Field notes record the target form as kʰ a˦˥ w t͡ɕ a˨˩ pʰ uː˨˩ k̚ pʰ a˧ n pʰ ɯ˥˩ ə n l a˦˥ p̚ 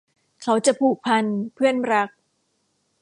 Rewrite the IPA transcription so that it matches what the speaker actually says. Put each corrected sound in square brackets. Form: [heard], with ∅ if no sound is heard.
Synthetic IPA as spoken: kʰ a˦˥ w t͡ɕ a˨˩ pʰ uː˨˩ k̚ pʰ a˧ n pʰ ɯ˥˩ ə n [ɾ] a˦˥ [k̚]